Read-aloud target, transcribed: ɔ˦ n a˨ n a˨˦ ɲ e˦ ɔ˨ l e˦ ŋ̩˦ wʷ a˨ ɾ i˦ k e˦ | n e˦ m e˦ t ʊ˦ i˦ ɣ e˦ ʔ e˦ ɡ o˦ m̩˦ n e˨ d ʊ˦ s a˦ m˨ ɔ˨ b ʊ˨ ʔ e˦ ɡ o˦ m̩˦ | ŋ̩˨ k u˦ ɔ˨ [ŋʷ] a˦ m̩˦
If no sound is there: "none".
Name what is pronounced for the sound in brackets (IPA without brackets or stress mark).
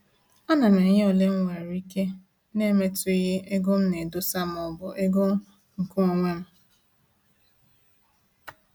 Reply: ŋʷ